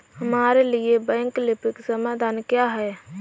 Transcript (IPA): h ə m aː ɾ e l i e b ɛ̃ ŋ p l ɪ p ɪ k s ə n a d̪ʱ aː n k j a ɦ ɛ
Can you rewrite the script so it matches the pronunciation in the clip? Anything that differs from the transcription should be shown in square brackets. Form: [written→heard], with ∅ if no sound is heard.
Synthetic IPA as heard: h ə m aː ɾ e l i e b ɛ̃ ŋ [p→k] l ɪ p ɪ k s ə [n→m] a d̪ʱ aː n k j a ɦ ɛ